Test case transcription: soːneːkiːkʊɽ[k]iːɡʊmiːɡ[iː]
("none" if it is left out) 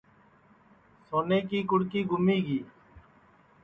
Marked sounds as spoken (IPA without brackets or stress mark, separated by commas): k, iː